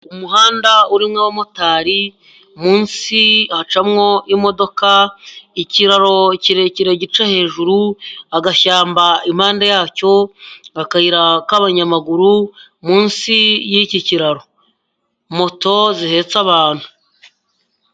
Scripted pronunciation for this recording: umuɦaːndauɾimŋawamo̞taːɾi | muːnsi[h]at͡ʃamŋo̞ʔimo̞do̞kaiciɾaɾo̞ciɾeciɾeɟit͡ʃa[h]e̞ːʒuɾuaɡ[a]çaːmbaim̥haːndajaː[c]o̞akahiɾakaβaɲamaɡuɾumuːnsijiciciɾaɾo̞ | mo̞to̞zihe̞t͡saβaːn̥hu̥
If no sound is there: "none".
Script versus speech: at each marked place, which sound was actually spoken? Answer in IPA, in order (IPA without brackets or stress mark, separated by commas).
h, h, a, c